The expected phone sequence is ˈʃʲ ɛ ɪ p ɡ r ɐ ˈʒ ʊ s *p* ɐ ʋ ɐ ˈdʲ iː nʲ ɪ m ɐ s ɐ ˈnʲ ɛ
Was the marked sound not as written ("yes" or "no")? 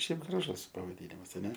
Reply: no